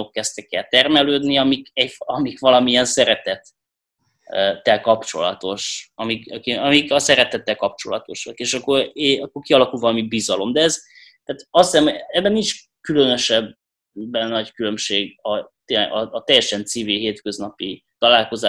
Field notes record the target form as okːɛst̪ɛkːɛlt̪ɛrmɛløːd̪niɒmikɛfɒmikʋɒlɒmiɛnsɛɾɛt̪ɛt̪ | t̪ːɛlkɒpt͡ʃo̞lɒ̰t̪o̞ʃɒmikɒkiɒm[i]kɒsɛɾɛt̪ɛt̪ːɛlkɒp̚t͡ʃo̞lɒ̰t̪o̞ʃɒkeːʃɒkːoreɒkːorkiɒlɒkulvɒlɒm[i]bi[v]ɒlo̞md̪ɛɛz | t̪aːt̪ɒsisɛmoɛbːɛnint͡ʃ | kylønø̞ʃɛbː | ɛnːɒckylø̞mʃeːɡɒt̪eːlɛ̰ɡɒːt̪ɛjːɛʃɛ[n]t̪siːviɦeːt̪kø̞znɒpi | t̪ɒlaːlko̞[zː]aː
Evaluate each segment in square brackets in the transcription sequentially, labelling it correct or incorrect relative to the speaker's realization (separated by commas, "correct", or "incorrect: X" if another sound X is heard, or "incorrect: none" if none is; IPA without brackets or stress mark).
correct, correct, incorrect: z, correct, incorrect: z